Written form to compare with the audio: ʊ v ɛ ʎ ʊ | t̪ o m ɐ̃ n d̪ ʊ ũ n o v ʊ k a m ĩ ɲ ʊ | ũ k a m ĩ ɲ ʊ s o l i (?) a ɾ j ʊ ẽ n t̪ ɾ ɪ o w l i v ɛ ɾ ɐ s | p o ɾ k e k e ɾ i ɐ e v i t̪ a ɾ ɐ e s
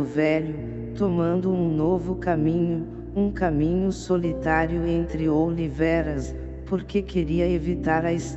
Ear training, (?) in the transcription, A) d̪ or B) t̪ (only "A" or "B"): B